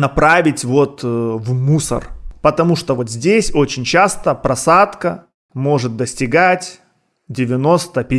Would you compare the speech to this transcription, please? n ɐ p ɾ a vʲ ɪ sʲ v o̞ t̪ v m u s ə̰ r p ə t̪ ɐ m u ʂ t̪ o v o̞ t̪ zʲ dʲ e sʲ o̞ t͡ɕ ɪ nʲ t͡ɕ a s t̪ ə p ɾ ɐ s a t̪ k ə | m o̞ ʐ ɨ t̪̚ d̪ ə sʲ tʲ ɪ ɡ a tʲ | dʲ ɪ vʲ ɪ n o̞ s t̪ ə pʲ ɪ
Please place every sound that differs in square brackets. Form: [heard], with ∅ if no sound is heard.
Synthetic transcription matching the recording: n ɐ p ɾ a vʲ ɪ [tʲ] v o̞ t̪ v m u s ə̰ r p ə t̪ ɐ m u ʂ t̪ o v o̞ t̪ zʲ dʲ e sʲ o̞ t͡ɕ ɪ nʲ t͡ɕ a s t̪ ə p ɾ ɐ s a t̪ k ə | m o̞ ʐ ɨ t̪̚ d̪ ə sʲ tʲ ɪ ɡ a tʲ | dʲ ɪ vʲ ɪ n o̞ s t̪ ə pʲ ɪ